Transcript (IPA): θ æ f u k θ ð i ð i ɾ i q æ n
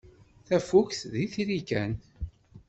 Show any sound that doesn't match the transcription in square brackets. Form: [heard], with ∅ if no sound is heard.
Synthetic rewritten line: θ æ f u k θ ð i [θ] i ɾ i [k] æ n